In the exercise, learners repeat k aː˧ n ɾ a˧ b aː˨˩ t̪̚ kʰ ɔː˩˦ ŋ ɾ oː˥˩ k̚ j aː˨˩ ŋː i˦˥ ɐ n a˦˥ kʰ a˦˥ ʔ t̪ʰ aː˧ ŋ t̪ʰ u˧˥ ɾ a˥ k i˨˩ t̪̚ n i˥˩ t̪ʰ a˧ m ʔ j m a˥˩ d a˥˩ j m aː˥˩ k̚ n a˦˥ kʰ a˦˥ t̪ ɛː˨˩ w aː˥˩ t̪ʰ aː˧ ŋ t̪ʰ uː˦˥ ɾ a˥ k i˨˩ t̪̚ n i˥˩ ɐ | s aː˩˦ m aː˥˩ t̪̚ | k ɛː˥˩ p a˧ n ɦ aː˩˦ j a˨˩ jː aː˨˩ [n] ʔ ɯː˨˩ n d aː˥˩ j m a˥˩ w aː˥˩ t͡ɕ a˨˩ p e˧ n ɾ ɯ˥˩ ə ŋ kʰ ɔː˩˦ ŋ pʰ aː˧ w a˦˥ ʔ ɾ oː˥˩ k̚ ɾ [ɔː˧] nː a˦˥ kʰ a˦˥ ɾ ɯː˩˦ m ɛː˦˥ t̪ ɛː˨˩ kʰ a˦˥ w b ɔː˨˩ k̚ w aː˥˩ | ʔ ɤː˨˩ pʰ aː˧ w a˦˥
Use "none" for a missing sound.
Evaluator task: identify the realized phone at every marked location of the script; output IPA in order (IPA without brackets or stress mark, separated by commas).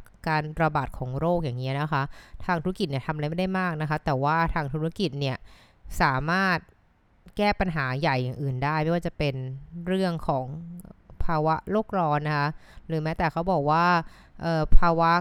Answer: ŋ, ɔː˧